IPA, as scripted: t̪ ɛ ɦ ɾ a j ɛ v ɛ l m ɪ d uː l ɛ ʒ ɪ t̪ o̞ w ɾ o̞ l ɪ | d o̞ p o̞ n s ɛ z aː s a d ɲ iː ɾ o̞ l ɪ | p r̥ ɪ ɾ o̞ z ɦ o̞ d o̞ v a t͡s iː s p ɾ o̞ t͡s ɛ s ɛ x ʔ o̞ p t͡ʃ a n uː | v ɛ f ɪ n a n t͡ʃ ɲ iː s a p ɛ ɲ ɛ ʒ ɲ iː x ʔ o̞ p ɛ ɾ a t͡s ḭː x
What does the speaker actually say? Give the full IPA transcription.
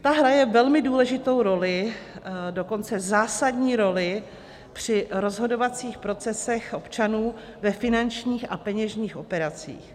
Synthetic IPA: t̪ a ɦ ɾ a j ɛ v ɛ l m ɪ d uː l ɛ ʒ ɪ t̪ o̞ w ɾ o̞ l ɪ | d o̞ k o̞ n t͡s ɛ z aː s a d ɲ iː ɾ o̞ l ɪ | p r̥ ɪ ɾ o̞ z ɦ o̞ d o̞ v a t͡s iː x p ɾ o̞ t͡s ɛ s ɛ x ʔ o̞ p t͡ʃ a n uː | v ɛ f ɪ n a n t͡ʃ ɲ iː x a p ɛ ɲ ɛ ʒ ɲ iː x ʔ o̞ p ɛ ɾ a t͡s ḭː x